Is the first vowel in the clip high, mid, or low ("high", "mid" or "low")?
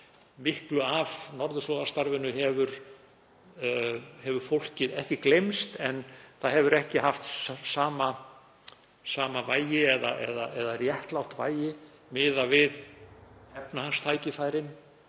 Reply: high